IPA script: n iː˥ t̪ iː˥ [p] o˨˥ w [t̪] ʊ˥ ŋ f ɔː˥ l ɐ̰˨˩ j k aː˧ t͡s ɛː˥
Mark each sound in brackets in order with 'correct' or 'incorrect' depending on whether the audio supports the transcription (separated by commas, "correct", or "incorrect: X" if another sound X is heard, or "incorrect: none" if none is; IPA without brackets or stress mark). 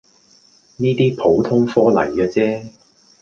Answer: incorrect: pʰ, incorrect: t̪ʰ